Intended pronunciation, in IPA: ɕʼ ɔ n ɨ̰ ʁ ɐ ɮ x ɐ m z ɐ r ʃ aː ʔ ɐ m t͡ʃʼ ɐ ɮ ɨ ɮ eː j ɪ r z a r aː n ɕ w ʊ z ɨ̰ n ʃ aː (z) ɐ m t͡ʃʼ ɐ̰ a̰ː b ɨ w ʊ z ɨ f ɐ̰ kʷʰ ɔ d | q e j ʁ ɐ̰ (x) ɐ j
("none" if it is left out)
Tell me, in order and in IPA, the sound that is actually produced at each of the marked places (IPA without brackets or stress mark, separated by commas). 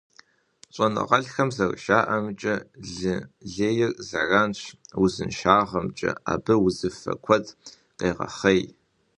ʁ, χ